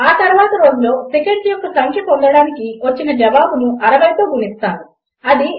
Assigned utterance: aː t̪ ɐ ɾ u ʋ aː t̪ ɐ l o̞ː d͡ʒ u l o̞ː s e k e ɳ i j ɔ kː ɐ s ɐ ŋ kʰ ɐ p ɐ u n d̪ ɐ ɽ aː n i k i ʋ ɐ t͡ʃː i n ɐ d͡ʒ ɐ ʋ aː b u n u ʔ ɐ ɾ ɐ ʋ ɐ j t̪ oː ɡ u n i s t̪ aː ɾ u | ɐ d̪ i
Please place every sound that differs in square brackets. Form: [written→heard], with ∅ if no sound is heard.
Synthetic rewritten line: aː t̪ ɐ ɾ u ʋ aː t̪ ɐ [l→ɾ] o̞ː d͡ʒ u l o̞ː s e k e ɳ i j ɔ kː ɐ s ɐ ŋ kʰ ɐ p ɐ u n d̪ ɐ ɽ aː n i k i ʋ ɐ t͡ʃː i n ɐ d͡ʒ ɐ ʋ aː b u n u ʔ ɐ ɾ ɐ ʋ ɐ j t̪ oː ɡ u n i s t̪ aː ɾ u | ɐ d̪ i